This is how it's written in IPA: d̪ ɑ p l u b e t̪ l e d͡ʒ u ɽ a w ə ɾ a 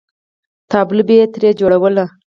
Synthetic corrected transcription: t̪ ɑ b l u b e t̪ ɾ e d͡ʒ o ɽ a w ə l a